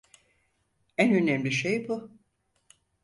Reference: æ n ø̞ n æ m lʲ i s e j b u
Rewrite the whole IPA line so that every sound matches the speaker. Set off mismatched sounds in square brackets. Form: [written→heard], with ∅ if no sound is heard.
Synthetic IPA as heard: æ n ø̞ n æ m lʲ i [s→ʃ] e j b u